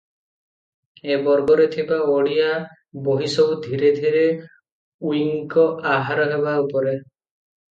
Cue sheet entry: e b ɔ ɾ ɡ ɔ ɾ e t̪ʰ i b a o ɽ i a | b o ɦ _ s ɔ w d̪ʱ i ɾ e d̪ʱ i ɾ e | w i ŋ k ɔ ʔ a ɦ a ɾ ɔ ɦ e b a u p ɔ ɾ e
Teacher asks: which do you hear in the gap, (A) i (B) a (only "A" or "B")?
A